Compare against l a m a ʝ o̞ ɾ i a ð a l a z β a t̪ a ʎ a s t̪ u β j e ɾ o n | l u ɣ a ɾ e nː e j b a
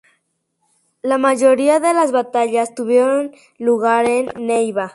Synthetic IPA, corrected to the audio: l a m a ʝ o̞ ɾ i a ð e l a z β a t̪ a ʎ a s t̪ u β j e ɾ o n | l u ɣ a ɾ e nː e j β a